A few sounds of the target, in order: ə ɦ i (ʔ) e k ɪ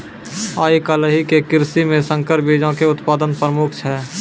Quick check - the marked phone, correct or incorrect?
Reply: incorrect: k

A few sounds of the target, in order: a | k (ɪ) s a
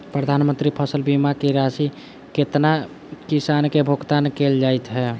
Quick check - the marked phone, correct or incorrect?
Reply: incorrect: i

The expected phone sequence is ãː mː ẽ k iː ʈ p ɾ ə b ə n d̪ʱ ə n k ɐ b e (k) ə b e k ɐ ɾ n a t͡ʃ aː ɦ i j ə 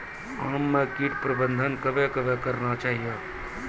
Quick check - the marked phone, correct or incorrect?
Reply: correct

